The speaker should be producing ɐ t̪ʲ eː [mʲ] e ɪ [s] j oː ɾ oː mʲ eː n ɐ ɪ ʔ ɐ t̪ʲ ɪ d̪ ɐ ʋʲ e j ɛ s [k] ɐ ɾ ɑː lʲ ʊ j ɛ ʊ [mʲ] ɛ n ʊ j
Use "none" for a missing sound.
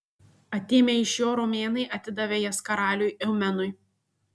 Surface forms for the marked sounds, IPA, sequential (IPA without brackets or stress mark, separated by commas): mʲ, ʃ, k, mʲ